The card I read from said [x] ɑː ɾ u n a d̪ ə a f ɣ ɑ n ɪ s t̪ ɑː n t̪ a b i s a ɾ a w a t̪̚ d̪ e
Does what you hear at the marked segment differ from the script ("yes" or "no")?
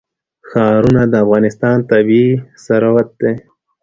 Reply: no